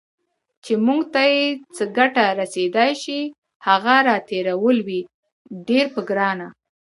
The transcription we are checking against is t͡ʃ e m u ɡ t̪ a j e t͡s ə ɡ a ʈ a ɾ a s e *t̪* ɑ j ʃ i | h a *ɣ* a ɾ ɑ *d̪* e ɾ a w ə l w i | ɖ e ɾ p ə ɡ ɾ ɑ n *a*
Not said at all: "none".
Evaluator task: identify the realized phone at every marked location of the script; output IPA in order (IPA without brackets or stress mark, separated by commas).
d̪, ɣ, t̪, a